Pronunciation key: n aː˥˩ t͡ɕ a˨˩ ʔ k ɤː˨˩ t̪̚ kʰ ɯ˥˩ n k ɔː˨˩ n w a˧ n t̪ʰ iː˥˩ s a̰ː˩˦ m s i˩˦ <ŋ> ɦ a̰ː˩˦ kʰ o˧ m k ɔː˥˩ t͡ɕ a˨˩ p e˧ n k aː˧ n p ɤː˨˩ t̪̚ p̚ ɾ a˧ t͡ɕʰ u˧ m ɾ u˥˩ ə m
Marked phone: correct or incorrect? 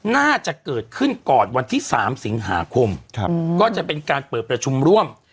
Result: correct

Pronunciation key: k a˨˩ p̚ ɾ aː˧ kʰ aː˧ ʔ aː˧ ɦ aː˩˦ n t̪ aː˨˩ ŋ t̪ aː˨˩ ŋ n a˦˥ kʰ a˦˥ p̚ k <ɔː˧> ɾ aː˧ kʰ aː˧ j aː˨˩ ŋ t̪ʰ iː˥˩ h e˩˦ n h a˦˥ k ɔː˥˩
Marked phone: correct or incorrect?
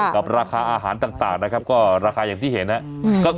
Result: incorrect: ɔː˥˩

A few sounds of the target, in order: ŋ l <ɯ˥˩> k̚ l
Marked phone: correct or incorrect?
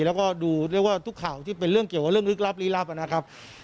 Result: incorrect: ɯ˦˥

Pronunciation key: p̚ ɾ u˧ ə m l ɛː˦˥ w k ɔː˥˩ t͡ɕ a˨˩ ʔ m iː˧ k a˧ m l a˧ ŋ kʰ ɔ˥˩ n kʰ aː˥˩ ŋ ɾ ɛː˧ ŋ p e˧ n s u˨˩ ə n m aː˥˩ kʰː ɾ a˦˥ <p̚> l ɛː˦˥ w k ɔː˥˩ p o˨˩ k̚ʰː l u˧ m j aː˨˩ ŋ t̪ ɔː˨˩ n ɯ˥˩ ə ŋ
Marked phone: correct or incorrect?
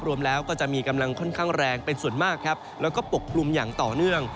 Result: correct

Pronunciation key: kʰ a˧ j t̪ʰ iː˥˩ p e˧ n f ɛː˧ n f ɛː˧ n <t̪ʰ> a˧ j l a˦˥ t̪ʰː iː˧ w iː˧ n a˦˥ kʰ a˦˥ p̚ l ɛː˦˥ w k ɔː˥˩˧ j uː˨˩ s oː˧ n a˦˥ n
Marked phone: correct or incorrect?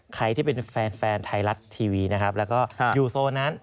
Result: correct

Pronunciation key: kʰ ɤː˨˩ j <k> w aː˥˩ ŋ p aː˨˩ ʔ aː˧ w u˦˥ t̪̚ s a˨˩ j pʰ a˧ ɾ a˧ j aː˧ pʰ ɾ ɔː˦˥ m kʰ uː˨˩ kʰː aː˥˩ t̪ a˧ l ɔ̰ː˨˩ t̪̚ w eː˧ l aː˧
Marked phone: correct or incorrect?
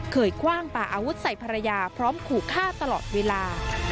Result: incorrect: kʰ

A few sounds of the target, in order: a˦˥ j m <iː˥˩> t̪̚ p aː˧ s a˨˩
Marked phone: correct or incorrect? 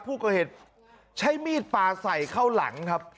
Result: correct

